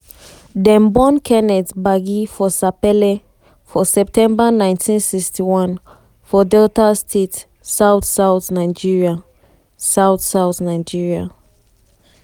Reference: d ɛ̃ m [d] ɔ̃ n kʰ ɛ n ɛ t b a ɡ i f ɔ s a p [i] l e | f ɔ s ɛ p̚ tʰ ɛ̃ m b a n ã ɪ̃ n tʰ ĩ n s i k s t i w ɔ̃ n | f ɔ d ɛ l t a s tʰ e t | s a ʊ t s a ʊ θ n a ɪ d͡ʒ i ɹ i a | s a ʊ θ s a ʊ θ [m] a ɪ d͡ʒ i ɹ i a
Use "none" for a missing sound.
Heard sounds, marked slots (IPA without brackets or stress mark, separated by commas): b, ɛ, n